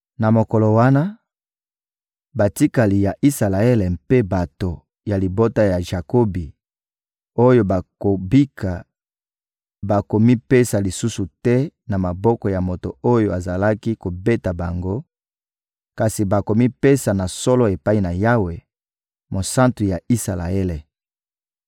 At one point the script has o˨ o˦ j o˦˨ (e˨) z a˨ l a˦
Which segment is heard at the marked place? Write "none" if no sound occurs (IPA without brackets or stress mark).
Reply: a˨